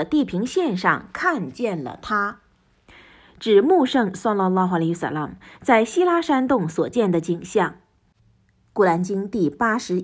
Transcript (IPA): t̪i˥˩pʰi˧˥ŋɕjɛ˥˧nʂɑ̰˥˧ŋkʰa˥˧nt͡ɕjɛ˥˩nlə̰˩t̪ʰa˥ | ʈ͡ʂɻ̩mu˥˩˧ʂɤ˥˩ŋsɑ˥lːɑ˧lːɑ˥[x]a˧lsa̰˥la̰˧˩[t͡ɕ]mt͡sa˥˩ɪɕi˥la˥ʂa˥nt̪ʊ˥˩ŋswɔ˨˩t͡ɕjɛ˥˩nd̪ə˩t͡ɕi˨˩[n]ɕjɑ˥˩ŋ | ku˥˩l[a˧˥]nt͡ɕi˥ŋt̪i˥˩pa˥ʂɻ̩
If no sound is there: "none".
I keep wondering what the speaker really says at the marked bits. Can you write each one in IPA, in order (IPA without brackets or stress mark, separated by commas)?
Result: x, none, ŋ, a˧˥